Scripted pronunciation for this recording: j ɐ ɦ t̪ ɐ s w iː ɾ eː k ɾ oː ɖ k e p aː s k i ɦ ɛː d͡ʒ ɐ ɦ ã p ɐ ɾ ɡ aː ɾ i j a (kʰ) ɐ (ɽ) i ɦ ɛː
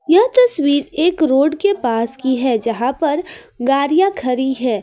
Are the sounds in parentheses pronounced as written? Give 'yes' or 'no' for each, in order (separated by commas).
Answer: yes, no